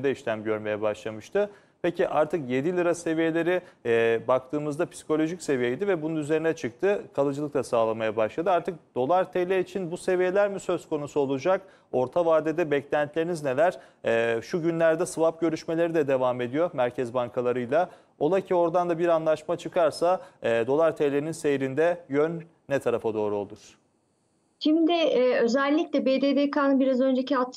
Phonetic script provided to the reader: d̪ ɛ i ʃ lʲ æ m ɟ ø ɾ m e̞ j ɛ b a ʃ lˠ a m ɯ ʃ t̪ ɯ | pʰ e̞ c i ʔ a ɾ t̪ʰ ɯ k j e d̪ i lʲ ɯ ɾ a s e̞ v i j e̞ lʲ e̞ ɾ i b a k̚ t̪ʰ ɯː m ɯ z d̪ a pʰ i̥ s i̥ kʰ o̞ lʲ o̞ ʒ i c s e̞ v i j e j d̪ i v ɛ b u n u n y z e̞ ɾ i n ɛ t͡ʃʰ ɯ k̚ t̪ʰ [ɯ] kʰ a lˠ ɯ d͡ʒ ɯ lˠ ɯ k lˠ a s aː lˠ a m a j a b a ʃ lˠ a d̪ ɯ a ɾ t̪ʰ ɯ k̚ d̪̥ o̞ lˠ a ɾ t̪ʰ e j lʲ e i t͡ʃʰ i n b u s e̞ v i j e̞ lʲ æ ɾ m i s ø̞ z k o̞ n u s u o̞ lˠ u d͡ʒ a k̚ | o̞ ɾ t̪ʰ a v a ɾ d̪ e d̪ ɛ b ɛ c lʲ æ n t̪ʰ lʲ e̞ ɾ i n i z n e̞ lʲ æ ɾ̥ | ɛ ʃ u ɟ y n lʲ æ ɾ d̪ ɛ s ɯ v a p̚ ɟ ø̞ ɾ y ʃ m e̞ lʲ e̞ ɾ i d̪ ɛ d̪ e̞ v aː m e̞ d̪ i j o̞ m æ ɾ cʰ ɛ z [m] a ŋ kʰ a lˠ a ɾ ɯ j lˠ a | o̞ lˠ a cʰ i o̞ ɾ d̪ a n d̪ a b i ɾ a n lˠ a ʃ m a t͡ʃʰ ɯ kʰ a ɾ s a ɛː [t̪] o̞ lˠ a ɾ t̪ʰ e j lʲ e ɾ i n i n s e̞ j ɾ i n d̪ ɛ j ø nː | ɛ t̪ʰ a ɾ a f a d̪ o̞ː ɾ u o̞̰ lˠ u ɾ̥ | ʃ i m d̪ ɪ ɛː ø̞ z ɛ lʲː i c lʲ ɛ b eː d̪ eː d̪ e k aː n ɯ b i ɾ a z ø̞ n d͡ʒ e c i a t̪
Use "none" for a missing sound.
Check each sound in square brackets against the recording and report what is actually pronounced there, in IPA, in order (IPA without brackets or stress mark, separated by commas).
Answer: ɯ, b, d̪